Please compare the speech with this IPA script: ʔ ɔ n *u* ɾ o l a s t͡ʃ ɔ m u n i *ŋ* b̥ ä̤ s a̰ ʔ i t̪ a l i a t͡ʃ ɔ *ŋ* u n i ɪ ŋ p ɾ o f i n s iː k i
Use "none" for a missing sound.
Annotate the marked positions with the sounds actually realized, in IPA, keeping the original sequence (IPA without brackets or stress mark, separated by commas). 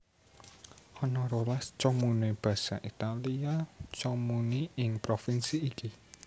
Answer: ɔ, none, m